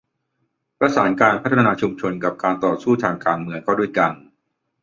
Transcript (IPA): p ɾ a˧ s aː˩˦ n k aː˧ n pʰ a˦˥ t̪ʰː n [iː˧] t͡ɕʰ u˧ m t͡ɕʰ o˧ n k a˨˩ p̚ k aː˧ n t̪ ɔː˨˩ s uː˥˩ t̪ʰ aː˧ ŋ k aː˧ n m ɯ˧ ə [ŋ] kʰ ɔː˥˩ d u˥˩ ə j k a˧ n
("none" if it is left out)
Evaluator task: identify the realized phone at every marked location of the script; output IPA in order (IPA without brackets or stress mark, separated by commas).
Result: aː˧, ŋ